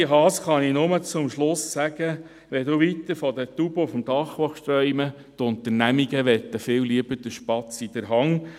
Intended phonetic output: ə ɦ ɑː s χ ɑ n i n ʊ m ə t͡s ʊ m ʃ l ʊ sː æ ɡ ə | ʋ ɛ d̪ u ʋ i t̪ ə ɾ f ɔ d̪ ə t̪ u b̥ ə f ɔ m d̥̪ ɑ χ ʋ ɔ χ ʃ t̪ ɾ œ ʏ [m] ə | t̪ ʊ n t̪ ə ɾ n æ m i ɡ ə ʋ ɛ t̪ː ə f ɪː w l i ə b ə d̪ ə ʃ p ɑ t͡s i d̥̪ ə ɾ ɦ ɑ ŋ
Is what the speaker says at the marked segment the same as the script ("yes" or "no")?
yes